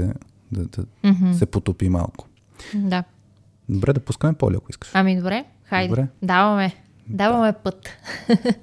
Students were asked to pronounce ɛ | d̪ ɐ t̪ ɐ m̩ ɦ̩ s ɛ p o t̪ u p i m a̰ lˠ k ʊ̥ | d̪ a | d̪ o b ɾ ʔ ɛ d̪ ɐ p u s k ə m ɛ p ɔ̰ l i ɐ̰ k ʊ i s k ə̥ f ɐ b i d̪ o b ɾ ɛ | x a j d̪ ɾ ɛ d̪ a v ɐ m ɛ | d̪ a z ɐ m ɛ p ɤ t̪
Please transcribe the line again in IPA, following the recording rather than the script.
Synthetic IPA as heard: ɛ | d̪ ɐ d̪ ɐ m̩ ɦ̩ s ɛ p o t̪ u p i m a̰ lˠ k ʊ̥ | d̪ a | d̪ o b ɾ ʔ ɛ d̪ ɐ p u s k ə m ɛ p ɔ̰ l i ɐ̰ k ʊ i s k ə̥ ʃ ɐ m i d̪ o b ɾ ɛ | x a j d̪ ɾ ɛ d̪ a v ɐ m ɛ | d̪ a v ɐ m ɛ p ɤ t̪